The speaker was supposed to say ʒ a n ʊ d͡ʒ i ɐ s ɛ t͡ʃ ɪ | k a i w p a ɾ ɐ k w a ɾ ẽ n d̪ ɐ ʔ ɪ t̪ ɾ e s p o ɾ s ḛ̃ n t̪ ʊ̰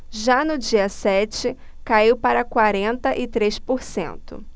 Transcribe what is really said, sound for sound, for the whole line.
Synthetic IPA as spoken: ʒ a n ʊ d͡ʒ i ɐ s ɛ t͡ʃ ɪ | k a i w p a ɾ ɐ k w a ɾ ẽ n t̪ ɐ ʔ ɪ t̪ ɾ e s p o ɾ s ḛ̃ n t̪ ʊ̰

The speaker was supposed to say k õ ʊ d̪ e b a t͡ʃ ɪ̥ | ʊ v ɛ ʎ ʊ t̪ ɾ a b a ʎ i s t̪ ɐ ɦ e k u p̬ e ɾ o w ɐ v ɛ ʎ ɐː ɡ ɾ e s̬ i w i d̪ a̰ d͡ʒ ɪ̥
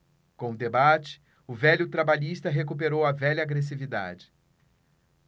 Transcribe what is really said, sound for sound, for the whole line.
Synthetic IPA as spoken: k õ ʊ d̪ e b a t͡ʃ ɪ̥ | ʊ v ɛ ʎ ʊ t̪ ɾ a b a ʎ i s t̪ ɐ ɦ e k u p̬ e ɾ o w ɐ v ɛ ʎ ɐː ɡ ɾ e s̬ i v i d̪ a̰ d͡ʒ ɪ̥

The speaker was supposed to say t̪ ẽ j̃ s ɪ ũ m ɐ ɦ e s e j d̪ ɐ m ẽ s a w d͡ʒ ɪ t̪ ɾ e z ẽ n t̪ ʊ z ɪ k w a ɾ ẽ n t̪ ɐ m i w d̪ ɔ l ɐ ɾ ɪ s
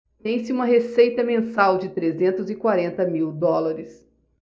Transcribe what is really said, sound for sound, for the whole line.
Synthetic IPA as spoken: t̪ ẽ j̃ s ɪ ũ m ɐ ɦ e s e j t̪ ɐ m ẽ s a w d͡ʒ ɪ t̪ ɾ e z ẽ n t̪ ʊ z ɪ k w a ɾ ẽ n t̪ ɐ m i w d̪ ɔ l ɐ ɾ ɪ s

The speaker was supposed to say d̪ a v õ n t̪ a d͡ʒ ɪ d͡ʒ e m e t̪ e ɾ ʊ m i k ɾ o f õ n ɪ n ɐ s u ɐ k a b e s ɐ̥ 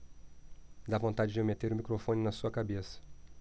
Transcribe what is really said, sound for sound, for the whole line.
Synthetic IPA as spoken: d̪ a v õ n t̪ a d͡ʒ ɪ d͡ʒ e m e t̪ e ɾ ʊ m i k ɾ o f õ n ɪ n ɐ s u ɐ k a b e s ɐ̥

